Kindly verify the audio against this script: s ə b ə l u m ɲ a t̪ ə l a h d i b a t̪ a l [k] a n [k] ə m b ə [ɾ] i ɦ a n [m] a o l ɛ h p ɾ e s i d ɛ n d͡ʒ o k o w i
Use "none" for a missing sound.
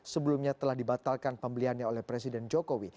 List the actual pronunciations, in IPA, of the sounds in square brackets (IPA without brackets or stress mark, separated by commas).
k, p, l, ɲ